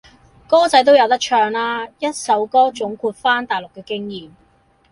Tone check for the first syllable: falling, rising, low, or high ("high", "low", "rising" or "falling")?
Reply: high